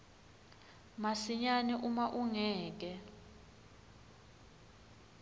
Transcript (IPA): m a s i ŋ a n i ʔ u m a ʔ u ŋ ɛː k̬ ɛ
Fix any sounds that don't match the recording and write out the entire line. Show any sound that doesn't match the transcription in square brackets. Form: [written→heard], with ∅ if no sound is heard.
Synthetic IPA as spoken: m a s i [ŋ→ɲ] a n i ʔ u m a ʔ u ŋ ɛː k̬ ɛ